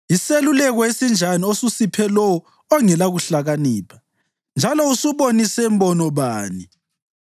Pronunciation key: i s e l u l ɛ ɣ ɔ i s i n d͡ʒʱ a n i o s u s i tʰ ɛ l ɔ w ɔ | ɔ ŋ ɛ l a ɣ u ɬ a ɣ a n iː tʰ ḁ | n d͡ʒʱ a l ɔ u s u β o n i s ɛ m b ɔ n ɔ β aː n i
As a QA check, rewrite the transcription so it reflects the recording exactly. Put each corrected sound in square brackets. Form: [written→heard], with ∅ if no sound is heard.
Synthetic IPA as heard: i s e l u l ɛ ɣ ɔ [i→e] s i n d͡ʒʱ a n i o s u s i [tʰ→pʰ] ɛ l ɔ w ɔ | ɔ ŋ ɛ l a ɣ u ɬ a ɣ a n iː [tʰ→pʰ] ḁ | n d͡ʒʱ a l ɔ u s u β o n i s ɛ m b ɔ n ɔ β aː n i